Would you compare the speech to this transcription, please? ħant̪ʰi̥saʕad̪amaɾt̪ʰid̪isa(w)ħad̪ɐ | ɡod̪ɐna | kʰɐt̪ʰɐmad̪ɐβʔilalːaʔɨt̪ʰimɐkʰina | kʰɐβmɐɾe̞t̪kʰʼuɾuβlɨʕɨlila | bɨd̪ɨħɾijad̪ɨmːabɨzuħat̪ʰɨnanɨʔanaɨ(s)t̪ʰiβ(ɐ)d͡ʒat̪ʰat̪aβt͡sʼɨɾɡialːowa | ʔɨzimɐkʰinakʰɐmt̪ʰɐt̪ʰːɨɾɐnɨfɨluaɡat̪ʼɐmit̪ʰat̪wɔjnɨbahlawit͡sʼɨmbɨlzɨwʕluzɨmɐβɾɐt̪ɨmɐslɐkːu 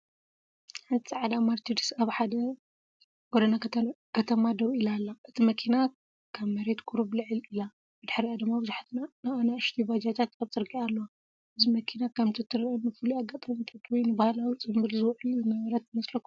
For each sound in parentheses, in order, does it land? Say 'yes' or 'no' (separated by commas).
no, no, no